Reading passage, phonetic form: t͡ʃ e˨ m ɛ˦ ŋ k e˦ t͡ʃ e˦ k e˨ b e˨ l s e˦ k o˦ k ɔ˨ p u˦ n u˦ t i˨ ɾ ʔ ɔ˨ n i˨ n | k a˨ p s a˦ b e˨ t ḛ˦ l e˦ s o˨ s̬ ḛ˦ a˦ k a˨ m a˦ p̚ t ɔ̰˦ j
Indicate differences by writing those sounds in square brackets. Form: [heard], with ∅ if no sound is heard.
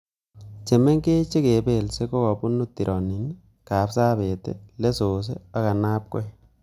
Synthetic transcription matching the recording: t͡ʃ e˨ m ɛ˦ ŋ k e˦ t͡ʃ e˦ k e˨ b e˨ l s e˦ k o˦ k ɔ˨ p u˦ n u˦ t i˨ ɾ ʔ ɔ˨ n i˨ n | k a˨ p s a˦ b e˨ t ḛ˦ l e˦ s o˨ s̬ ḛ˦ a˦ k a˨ [n] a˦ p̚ [k] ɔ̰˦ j